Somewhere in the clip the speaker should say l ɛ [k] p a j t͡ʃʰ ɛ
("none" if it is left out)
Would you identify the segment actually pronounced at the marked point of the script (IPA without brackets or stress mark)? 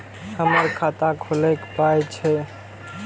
k